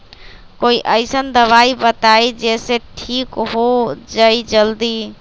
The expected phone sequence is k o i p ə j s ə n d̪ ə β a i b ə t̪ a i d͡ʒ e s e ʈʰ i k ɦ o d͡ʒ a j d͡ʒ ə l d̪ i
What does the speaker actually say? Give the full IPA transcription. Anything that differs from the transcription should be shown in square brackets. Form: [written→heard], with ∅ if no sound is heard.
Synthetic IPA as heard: k o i [p→ʔ] ə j s ə n d̪ ə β a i b ə t̪ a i d͡ʒ e s e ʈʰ i k ɦ o d͡ʒ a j d͡ʒ ə l d̪ i

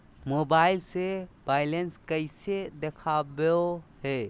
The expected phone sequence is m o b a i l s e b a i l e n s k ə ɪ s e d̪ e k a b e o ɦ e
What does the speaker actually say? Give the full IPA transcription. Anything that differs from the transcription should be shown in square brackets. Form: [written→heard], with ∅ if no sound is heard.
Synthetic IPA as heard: m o b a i l s e b a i l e n s k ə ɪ s e d̪ e [k→kʰ] a b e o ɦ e

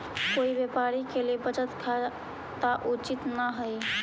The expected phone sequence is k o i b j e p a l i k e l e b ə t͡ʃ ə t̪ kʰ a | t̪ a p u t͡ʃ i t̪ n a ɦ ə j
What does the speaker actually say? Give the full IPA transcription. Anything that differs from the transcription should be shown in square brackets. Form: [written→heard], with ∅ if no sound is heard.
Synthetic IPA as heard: k o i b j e p a [l→ɾ] i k e l e b ə t͡ʃ ə t̪ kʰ a | t̪ a [p→ʔ] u t͡ʃ i t̪ n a ɦ ə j

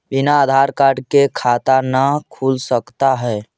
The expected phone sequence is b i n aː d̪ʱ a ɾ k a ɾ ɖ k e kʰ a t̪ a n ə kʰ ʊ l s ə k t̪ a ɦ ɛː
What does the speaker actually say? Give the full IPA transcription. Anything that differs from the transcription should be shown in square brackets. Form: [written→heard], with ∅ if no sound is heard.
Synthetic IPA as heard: b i n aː d̪ʱ a ɾ k a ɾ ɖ k e kʰ a t̪ a n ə kʰ [ʊ→u] l s ə k t̪ a ɦ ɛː

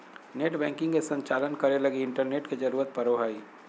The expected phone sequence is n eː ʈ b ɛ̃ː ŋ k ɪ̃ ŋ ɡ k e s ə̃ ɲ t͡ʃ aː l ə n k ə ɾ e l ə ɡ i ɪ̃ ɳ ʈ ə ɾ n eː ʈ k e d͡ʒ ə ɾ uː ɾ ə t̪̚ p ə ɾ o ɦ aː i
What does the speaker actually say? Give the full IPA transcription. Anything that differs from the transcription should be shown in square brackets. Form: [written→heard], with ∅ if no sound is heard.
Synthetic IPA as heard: n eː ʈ b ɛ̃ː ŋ k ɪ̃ ŋ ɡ k e s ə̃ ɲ t͡ʃ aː l ə n k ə ɾ e l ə ɡ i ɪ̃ ɳ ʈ ə ɾ n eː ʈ k e d͡ʒ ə ɾ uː ɾ ə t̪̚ p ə ɾ o ɦ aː i

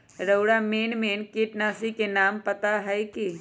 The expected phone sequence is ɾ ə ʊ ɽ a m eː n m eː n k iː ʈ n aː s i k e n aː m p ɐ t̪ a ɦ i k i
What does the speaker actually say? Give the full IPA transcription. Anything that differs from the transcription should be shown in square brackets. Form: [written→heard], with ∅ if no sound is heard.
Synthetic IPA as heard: ɾ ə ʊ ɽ a m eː n m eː n k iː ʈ n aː s i k e n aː m p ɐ t̪ a ɦ [i→ɛ] k i

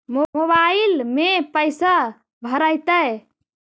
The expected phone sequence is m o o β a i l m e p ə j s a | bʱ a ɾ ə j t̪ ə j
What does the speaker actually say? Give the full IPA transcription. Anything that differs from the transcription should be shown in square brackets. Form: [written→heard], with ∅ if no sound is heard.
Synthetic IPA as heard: m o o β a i l m e p ə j s a | bʱ [a→ə] ɾ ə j t̪ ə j

